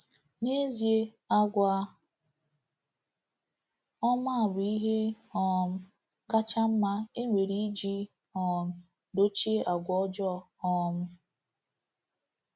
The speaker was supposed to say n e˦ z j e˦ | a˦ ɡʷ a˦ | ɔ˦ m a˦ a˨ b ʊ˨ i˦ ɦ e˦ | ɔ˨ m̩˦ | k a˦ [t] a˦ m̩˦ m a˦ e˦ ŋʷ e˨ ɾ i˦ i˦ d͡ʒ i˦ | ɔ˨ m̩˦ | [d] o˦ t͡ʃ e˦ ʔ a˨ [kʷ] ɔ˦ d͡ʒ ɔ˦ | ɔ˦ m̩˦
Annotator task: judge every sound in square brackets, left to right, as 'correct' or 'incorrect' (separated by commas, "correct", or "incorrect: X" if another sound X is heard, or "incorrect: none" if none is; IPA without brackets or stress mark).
incorrect: t͡ʃ, correct, incorrect: ɡʷ